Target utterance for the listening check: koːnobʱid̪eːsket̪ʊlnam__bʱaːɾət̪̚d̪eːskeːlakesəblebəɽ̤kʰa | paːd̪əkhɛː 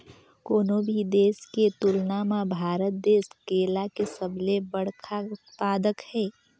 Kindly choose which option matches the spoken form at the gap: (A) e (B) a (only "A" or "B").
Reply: B